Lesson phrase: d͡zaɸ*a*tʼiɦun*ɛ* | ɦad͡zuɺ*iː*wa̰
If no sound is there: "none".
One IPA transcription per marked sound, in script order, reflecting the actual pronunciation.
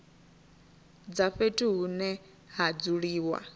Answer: e, ɛ, iː

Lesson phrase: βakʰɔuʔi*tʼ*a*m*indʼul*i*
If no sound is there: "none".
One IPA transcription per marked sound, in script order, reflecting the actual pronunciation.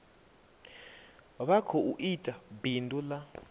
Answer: tʼ, b, a

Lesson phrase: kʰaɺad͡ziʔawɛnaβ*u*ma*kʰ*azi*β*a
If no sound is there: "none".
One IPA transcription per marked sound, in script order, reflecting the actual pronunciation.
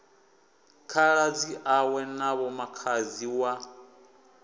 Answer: ɔ, kʰ, w

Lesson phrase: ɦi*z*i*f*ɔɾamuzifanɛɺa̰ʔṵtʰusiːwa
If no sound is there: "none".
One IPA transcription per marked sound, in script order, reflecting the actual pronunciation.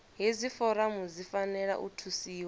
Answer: z, f

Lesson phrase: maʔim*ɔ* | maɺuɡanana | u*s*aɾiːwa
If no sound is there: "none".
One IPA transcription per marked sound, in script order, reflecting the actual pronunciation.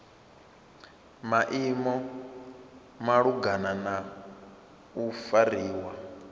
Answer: ɔ, f

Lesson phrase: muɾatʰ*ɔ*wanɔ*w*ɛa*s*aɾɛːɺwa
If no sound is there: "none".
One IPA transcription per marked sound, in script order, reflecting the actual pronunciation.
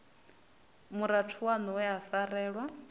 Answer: u, w, f

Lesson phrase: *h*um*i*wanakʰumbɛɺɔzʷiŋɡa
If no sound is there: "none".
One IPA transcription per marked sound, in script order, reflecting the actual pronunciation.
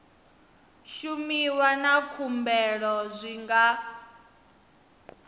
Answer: ʃ, i

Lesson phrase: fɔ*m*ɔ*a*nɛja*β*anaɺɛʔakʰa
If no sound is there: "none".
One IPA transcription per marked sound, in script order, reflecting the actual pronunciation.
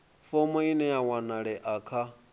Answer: m, i, w

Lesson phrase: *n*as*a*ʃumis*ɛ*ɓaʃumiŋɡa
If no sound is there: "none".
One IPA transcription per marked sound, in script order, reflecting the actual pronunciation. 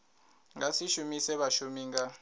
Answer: ŋ, i, ɛ

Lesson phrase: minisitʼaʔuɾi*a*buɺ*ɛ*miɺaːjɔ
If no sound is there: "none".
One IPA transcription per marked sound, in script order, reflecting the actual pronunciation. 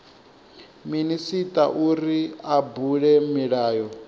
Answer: a, ɛ

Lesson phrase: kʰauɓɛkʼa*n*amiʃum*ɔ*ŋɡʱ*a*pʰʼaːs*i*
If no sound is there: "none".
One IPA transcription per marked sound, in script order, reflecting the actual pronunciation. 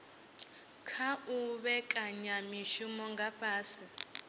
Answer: ɲ, ɔ, a, i

